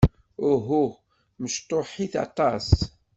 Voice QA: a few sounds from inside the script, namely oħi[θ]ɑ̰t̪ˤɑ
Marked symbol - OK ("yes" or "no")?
yes